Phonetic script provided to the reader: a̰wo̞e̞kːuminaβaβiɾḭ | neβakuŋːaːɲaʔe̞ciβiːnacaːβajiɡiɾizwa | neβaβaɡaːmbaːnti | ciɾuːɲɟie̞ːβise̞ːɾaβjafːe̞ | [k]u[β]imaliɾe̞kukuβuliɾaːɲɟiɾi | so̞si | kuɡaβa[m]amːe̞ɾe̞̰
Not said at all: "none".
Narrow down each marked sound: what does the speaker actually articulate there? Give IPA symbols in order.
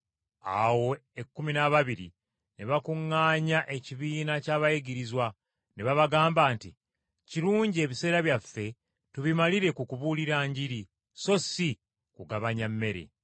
t, β, ɲ

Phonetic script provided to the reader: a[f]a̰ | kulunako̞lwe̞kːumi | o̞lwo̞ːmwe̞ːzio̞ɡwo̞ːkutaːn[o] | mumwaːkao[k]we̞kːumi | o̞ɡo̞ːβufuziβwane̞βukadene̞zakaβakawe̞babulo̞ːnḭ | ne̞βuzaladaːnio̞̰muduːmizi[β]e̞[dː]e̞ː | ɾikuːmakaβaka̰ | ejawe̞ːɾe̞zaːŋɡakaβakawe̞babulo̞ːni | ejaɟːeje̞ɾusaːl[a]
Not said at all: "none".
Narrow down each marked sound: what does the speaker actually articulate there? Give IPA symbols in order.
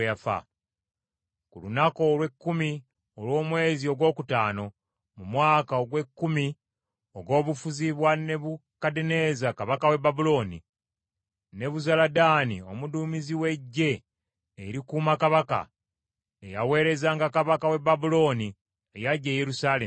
f, o, ɡ, w, ɟː, e

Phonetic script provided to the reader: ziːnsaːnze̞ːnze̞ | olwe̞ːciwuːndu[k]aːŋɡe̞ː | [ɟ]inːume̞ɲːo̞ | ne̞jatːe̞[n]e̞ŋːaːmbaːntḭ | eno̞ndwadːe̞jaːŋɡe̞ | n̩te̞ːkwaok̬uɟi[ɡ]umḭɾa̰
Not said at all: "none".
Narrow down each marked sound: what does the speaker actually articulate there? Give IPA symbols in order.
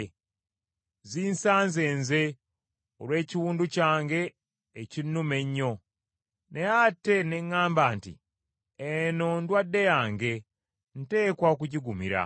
c, c, n, ɡ

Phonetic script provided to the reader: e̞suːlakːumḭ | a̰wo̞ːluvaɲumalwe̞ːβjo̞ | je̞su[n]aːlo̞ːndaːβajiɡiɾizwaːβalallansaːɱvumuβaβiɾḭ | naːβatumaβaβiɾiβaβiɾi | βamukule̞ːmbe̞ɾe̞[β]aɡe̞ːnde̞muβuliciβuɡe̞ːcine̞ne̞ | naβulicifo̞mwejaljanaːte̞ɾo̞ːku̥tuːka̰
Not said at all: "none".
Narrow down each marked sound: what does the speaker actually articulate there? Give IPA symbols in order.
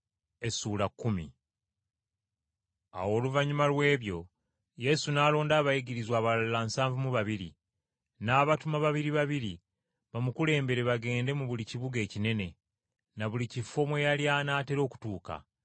n, β

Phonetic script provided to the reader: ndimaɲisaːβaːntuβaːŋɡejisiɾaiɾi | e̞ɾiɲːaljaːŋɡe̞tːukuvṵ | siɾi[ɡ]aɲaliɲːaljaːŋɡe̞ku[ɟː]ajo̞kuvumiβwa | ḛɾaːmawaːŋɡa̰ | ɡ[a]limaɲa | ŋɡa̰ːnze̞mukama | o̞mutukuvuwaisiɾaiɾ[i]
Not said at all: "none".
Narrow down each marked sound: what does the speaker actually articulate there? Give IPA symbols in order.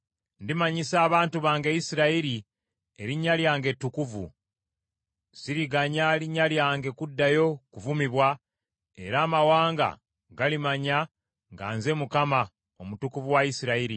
ɡ, dː, a, i

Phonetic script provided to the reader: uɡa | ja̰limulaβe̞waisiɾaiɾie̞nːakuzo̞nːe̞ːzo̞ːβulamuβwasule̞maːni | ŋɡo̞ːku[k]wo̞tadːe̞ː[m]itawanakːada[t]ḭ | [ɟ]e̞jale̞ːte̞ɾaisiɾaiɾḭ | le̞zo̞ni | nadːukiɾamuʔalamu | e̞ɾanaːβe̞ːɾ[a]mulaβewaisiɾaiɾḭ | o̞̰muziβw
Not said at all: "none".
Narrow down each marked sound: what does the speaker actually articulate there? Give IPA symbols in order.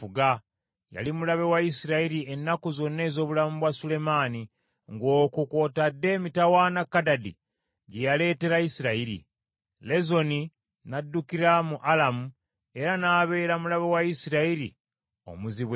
k, m, d, ɟ, a

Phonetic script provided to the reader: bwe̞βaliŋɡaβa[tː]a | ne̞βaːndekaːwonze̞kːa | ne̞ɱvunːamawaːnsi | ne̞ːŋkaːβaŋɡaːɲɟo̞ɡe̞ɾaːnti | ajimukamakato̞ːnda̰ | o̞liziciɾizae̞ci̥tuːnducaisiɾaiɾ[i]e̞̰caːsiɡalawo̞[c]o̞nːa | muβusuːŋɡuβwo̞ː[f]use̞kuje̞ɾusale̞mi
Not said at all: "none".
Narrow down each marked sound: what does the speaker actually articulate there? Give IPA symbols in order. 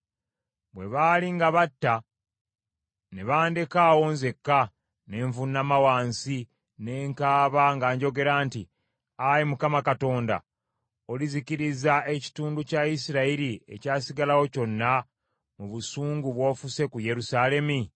tː, i, c, f

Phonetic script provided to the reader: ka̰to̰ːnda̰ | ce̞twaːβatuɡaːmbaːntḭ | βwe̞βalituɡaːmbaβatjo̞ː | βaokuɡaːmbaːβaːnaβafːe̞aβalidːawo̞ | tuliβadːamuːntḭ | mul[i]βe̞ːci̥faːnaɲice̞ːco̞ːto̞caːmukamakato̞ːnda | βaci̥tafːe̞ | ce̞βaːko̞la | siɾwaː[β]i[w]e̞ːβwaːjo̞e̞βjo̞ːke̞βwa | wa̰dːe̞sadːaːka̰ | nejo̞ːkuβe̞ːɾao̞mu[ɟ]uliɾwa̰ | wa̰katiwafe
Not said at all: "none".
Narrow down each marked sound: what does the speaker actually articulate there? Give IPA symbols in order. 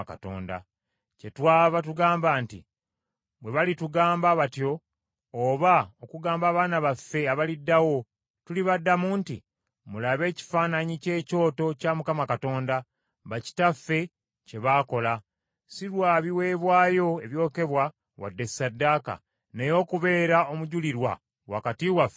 a, β, w, ɟ

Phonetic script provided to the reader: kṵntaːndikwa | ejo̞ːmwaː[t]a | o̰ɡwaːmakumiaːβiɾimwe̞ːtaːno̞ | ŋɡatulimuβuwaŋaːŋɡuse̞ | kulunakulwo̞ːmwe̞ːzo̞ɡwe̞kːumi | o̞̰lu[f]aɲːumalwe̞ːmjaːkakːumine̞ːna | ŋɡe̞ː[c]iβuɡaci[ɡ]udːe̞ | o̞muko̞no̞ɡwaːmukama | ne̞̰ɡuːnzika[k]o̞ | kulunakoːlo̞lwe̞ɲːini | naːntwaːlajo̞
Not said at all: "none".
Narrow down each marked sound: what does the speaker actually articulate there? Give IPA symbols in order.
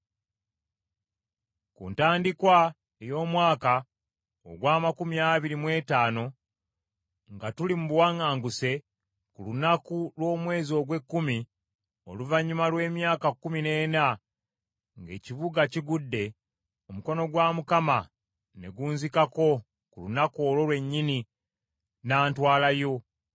k, v, c, ɡ, k

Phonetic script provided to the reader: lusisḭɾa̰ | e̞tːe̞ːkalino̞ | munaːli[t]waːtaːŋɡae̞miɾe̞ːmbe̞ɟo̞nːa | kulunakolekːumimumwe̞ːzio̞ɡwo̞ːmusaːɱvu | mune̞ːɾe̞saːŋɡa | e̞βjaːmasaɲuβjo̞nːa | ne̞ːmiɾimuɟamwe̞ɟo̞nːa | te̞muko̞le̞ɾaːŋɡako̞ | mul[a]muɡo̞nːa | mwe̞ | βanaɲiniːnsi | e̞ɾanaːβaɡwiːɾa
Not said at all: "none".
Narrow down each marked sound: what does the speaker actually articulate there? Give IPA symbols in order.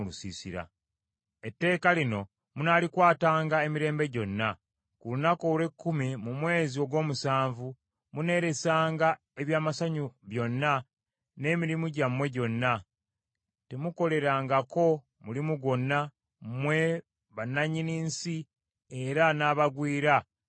k, i

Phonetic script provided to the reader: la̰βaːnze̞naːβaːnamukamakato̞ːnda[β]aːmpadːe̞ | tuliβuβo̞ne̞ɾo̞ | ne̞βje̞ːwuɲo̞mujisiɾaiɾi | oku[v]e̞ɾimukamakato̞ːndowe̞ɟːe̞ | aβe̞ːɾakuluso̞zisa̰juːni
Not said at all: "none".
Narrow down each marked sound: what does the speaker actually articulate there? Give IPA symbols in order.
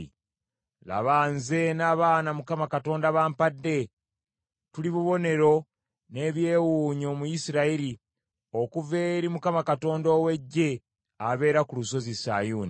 β, v

